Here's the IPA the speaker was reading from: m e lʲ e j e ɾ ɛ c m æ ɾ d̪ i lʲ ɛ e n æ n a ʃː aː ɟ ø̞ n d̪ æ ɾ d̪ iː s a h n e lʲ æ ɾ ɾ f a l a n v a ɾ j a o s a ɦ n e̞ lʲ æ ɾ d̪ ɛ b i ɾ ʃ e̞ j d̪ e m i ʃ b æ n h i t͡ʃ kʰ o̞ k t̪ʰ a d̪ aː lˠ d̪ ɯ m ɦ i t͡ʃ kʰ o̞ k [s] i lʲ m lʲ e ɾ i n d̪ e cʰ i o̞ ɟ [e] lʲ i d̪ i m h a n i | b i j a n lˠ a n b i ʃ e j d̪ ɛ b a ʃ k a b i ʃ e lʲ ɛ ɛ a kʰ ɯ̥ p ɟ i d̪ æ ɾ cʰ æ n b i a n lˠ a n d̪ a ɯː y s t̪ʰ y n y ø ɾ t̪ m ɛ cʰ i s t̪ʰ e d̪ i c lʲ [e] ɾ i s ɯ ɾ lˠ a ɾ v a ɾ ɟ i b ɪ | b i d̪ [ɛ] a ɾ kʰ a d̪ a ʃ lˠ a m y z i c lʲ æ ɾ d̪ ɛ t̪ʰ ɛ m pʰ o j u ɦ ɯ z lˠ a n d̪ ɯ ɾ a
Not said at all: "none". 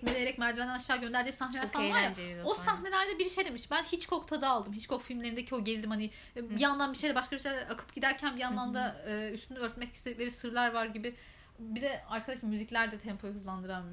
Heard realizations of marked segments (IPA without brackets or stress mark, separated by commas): f, e, e, ɛ